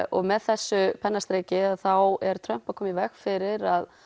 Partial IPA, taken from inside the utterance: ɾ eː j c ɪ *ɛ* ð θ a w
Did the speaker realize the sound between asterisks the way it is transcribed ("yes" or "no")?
no